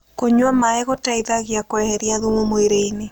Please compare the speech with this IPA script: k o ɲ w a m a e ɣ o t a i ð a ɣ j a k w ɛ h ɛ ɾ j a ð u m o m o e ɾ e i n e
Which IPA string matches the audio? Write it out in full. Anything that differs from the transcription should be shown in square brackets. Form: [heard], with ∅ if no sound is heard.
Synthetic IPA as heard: k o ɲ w a m a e ɣ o t a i ð a ɣ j a k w ɛ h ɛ ɾ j a ð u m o m o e ɾ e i n e

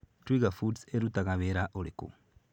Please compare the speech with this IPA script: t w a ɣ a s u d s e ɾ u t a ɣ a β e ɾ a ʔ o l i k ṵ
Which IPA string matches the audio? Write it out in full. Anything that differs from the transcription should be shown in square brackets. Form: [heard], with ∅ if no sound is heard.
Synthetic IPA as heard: t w [i] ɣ a [f] u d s e ɾ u t a ɣ a β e ɾ a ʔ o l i k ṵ

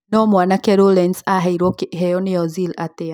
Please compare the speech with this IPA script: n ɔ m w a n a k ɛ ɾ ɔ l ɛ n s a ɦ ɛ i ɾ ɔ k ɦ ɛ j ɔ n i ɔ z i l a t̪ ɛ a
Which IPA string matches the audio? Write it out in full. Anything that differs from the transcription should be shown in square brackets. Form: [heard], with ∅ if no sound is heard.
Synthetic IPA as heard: n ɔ m w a n a k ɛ ɾ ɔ l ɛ n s a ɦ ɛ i ɾ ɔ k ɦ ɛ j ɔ n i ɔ z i l a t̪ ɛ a

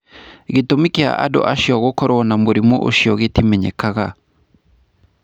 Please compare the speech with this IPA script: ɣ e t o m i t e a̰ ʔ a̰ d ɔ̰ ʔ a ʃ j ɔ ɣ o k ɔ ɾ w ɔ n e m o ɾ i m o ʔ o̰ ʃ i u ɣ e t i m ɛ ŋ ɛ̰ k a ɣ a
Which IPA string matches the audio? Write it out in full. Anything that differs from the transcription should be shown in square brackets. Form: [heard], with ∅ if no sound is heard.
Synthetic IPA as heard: ɣ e t o m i [k] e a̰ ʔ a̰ d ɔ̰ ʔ a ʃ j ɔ ɣ o k ɔ ɾ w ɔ n [a] m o ɾ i m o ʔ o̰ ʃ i [ɔ] ɣ e t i m ɛ [ɲ] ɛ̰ k a ɣ a

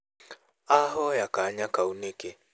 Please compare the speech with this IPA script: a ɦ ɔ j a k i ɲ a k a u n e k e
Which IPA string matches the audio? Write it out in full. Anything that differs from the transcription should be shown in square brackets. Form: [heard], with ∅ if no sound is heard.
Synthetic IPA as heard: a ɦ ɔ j a k [a] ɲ a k a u n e k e

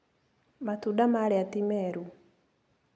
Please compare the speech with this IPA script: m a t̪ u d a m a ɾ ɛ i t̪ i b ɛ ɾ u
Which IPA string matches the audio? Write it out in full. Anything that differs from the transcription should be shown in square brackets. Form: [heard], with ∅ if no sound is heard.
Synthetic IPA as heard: m a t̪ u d a m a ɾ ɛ [a] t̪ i [m] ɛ ɾ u

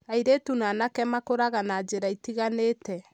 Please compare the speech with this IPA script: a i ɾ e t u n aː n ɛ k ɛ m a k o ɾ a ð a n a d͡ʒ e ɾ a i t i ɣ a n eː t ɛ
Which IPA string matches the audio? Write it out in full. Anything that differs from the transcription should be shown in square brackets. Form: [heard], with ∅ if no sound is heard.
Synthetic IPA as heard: a i ɾ e t u n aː n [a] k ɛ m a k o ɾ a [ɣ] a n a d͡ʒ e ɾ a i t i ɣ a n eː t ɛ

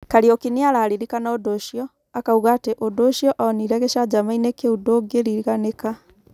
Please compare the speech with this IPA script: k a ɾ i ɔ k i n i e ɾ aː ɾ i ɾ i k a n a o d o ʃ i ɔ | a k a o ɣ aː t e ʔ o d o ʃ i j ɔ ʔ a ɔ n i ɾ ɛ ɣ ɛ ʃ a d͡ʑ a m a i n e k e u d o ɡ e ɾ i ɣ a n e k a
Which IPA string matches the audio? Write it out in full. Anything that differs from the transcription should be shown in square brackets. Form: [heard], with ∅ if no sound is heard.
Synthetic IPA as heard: k a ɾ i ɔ k i n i [a] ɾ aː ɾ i ɾ i k a n a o d o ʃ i ɔ | a k a [u] ɣ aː t e ʔ o d o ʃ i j ɔ ʔ a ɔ n i ɾ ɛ ɣ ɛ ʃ a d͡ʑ a m a i n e k e u d o ɡ e ɾ i ɣ a n e k a

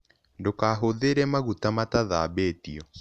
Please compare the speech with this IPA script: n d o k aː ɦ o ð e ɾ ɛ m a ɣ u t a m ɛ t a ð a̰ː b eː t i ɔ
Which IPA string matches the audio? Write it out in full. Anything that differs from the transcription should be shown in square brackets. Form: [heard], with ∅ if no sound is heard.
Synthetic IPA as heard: n d o k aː ɦ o ð e ɾ ɛ m a ɣ u t a m [a] t a ð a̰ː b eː t i ɔ

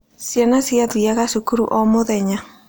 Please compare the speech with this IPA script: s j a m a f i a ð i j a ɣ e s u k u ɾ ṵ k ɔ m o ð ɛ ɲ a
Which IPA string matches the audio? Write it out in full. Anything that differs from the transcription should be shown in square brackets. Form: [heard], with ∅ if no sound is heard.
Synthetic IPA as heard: s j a [n] a [s] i a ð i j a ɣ [a] s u k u ɾ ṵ [ʔ] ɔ m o ð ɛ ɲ a

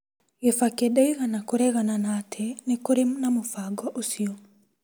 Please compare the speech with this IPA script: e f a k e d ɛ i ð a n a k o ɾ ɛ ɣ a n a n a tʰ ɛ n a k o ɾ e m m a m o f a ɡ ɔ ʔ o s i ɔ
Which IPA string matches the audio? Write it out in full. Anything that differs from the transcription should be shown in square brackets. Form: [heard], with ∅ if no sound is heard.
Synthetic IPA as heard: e f a k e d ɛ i [ɣ] a n a k o ɾ ɛ ɣ a n a n a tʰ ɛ n [e] k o ɾ e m [n] a m o f a ɡ ɔ ʔ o s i ɔ

